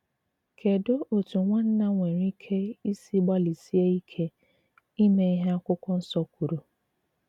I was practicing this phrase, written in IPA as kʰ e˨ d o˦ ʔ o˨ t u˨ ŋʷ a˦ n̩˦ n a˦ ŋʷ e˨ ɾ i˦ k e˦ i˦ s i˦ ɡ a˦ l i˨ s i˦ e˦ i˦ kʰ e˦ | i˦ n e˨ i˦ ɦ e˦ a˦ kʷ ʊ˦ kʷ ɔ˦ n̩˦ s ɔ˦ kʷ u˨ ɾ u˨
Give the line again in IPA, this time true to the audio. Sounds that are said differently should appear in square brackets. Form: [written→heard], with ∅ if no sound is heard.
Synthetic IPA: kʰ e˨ d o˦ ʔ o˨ t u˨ ŋʷ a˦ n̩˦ n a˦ ŋʷ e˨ ɾ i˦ [k→kʰ] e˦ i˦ s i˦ [ɡ→ɡ͡b] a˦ l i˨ s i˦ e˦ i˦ kʰ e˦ | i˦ n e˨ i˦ ɦ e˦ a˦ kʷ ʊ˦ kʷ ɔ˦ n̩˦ s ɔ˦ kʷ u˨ ɾ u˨